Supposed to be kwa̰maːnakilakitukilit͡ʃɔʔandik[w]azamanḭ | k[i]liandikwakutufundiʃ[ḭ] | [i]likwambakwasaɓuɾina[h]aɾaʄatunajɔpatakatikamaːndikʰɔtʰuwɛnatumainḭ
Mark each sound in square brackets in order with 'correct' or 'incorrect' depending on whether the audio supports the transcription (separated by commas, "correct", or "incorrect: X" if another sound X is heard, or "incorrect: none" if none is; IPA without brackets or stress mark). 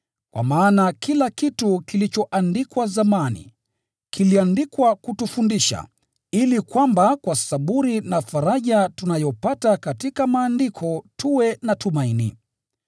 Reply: correct, correct, incorrect: a̰, correct, incorrect: f